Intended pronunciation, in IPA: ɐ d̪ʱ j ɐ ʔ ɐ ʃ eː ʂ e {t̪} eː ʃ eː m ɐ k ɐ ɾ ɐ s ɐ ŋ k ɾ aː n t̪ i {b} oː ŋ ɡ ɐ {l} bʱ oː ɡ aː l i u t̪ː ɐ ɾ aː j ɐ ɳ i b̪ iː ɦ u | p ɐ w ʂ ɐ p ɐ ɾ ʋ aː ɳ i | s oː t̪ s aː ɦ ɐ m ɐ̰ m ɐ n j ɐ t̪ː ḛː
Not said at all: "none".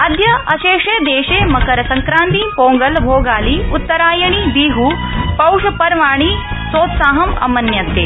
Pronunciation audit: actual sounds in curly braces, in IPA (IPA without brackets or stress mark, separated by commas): d̪, p, l